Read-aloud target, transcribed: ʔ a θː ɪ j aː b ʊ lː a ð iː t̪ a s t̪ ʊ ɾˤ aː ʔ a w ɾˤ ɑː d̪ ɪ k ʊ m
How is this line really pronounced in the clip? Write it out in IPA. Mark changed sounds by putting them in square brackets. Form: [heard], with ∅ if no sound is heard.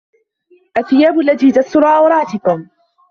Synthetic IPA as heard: ʔ a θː ɪ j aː b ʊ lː a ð iː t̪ a s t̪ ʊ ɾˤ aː ʔ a w ɾˤ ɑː [t̪] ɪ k ʊ m